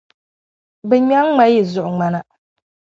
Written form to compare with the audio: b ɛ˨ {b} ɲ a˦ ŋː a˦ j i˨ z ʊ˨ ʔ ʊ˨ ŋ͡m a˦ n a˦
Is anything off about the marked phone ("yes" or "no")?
yes